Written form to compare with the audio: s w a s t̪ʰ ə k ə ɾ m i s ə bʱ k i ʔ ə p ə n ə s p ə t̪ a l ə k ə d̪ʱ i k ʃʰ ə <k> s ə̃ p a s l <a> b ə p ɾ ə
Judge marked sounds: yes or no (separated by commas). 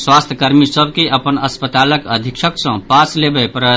yes, no